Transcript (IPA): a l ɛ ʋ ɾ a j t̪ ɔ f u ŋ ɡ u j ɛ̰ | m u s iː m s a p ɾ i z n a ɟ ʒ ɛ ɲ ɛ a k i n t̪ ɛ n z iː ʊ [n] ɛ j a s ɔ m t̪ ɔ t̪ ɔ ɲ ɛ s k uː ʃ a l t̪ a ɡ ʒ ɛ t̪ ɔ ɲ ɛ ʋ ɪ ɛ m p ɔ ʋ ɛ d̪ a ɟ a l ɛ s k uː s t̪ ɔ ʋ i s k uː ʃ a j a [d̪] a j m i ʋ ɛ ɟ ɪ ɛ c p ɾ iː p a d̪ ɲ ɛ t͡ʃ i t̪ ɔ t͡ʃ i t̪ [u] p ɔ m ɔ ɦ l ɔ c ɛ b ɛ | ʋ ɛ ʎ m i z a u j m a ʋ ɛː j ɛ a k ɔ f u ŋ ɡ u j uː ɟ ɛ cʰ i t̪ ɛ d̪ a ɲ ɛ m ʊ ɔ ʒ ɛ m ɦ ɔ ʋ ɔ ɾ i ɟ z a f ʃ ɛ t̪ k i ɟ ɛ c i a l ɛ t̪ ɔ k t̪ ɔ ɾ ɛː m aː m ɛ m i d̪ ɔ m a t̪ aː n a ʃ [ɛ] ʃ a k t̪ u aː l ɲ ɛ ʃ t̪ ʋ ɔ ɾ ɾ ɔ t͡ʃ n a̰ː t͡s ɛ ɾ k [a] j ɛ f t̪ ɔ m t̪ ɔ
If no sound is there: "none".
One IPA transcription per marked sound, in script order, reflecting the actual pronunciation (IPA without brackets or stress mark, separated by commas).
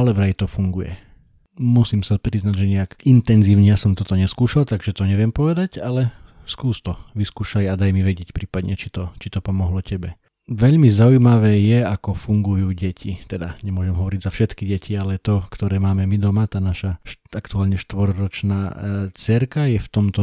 ɲ, d̪, ɔ, a, a